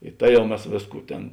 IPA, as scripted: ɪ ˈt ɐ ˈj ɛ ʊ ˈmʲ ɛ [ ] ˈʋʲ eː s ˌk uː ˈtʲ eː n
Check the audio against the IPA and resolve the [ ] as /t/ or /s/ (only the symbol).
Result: s